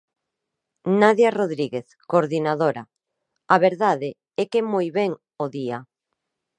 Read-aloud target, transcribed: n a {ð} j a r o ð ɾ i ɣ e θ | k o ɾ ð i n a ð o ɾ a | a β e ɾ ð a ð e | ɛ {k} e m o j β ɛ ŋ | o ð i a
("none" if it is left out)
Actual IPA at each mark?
ð, k

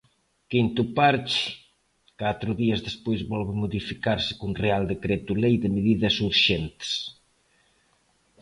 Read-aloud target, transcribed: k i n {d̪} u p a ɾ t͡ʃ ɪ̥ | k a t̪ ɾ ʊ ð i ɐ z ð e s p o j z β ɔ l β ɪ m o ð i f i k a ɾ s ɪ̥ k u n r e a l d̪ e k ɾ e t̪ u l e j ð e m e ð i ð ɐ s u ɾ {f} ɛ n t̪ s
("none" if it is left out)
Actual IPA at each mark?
t̪, ʃ

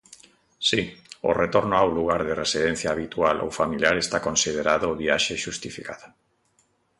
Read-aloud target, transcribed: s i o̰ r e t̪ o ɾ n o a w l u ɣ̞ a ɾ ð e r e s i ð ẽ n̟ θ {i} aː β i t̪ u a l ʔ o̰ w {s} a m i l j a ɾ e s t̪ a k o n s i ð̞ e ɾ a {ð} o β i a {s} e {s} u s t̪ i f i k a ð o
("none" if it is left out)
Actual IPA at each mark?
j, f, ð, ʃ, ʃ

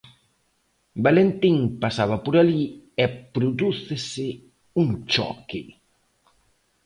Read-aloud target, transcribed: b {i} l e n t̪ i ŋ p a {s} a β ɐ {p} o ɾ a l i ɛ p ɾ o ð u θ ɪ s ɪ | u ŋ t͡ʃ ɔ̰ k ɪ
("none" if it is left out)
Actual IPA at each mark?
a, s, p

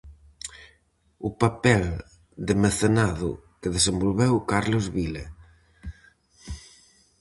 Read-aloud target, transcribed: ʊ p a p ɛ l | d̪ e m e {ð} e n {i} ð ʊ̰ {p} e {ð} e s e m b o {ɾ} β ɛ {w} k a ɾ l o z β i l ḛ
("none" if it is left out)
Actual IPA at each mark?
θ, a, k, ð, l, w

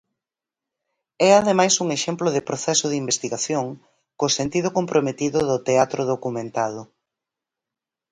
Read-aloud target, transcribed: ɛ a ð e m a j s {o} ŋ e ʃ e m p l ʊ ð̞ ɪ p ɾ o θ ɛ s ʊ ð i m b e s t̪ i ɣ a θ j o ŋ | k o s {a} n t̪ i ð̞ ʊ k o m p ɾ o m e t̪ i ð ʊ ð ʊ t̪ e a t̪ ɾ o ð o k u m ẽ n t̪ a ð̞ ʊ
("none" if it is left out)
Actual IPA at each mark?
u, e

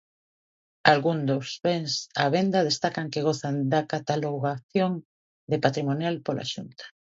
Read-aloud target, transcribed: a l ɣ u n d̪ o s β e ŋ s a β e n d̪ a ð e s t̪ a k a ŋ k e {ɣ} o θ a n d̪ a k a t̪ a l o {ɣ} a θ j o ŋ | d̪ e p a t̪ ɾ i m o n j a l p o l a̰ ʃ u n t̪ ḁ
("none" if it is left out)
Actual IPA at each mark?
ɣ, ɣ

